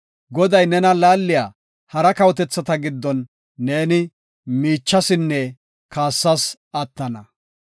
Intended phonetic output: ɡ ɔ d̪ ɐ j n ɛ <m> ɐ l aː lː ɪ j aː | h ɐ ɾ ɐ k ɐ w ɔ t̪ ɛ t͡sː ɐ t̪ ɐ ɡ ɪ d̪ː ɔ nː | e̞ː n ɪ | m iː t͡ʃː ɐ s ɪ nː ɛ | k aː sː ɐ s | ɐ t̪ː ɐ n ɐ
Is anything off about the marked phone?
yes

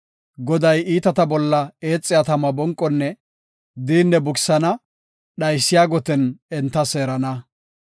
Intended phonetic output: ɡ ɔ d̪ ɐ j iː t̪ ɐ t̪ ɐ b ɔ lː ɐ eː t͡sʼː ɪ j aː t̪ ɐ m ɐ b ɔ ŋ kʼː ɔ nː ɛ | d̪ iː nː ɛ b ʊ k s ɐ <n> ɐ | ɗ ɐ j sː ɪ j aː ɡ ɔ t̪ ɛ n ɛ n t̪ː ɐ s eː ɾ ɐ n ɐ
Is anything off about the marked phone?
no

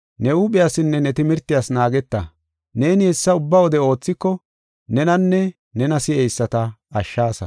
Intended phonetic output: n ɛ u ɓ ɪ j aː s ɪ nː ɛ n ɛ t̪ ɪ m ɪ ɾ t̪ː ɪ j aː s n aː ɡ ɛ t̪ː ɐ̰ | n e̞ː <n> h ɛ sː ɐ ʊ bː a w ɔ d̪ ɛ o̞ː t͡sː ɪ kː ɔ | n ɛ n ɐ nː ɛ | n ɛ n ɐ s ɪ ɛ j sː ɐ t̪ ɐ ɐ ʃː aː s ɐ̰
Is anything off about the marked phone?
no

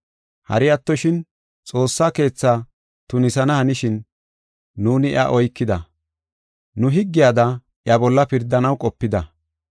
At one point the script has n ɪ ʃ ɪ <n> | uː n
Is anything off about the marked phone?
yes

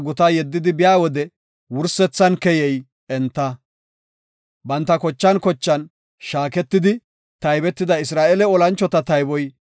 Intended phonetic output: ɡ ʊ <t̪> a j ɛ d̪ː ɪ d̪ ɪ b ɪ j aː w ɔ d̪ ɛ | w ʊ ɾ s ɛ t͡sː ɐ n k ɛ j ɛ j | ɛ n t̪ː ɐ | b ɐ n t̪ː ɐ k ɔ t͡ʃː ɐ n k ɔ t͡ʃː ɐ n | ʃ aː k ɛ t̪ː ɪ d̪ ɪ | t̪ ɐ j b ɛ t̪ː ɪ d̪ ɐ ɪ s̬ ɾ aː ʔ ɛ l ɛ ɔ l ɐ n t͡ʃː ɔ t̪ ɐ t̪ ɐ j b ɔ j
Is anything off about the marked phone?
no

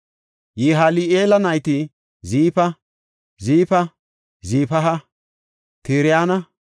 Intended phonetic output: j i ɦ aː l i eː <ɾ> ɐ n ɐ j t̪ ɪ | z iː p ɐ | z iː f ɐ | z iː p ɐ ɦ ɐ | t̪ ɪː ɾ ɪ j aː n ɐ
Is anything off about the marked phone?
yes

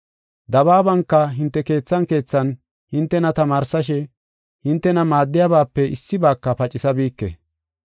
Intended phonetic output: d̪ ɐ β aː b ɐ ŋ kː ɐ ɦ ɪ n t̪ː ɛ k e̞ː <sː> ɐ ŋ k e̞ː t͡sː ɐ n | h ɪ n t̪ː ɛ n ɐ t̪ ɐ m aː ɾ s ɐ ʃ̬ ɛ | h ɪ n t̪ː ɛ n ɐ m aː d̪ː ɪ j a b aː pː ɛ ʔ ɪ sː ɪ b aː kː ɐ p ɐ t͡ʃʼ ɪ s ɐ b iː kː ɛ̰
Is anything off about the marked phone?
yes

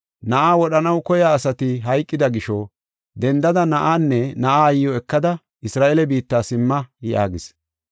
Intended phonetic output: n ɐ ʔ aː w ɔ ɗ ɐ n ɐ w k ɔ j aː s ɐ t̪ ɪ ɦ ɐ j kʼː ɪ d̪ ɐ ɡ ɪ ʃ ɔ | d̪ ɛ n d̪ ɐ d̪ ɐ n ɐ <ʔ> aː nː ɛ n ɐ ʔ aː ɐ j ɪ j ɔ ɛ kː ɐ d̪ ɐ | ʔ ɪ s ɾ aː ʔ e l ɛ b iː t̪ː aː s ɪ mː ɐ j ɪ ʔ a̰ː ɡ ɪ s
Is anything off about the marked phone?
no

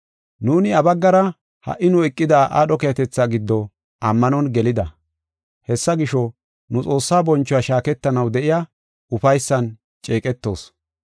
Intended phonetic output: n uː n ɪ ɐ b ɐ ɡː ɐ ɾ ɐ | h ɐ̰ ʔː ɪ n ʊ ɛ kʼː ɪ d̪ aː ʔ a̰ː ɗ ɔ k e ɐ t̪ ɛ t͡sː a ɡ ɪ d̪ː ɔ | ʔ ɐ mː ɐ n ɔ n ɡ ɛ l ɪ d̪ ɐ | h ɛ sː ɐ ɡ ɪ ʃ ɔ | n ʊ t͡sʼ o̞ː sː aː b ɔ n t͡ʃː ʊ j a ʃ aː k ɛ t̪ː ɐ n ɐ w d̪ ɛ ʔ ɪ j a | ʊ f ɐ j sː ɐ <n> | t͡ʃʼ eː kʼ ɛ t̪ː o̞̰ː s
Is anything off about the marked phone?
no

